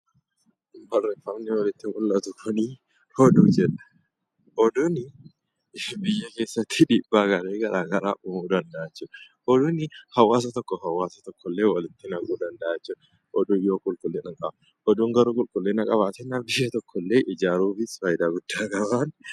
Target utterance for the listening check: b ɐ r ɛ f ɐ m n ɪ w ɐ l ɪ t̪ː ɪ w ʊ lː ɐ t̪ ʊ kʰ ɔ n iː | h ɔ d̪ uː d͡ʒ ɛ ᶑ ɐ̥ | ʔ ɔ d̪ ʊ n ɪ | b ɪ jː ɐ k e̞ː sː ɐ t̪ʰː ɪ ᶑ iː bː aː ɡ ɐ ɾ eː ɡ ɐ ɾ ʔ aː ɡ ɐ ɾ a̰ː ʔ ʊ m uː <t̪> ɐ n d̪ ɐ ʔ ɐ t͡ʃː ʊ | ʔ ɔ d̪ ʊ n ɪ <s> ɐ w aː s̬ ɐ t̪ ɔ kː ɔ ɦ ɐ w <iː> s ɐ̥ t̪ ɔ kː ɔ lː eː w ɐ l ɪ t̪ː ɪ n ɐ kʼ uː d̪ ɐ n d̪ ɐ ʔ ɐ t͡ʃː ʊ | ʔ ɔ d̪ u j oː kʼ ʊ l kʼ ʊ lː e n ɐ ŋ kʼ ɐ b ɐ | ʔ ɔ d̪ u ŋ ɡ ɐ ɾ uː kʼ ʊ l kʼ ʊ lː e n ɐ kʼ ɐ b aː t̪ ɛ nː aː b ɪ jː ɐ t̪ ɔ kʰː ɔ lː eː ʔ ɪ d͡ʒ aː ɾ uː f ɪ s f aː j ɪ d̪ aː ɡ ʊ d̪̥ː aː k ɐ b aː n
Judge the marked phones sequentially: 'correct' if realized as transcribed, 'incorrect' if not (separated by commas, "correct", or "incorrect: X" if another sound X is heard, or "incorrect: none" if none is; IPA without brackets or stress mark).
incorrect: d̪, incorrect: h, incorrect: aː